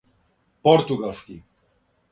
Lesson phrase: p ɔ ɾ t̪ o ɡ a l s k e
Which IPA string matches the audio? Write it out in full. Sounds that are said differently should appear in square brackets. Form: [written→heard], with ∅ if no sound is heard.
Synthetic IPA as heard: p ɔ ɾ t̪ [o→u] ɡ a l s k [e→i]